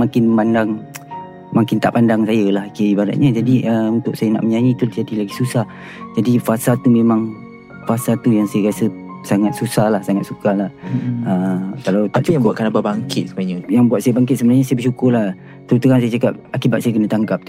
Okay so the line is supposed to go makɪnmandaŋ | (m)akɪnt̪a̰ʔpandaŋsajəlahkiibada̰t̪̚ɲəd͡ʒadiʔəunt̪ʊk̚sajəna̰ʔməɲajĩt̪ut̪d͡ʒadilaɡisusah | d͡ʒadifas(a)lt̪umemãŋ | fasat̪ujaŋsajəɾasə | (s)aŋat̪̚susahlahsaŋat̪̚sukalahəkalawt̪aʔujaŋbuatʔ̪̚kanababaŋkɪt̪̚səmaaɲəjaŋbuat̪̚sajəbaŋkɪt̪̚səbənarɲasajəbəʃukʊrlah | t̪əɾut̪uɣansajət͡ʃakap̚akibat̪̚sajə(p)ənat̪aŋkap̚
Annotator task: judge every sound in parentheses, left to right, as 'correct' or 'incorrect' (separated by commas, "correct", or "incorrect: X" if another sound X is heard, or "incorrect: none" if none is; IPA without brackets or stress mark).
correct, correct, correct, incorrect: k